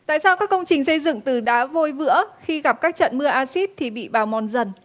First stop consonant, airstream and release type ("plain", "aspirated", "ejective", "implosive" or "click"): plain